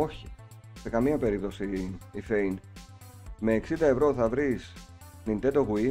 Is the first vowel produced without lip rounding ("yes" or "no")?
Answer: no